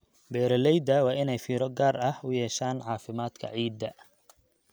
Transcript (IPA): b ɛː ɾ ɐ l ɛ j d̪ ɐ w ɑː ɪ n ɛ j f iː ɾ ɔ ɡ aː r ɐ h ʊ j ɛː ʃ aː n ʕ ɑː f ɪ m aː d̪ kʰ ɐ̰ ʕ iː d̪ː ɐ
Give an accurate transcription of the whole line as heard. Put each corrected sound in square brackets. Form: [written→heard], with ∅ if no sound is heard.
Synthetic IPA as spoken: b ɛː ɾ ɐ l ɛ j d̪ ɐ w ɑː ɪ n ɛ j f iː ɾ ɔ ɡ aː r ɐ h ʊ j ɛː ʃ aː n ʕ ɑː f ɪ m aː d̪ kʰ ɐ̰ ʕ iː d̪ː ɐ